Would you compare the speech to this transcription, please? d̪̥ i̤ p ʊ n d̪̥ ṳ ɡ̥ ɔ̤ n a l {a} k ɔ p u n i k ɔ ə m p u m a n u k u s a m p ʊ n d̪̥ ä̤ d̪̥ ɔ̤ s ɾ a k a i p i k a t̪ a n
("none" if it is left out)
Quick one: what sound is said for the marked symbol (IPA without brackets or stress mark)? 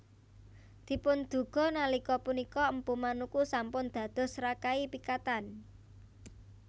i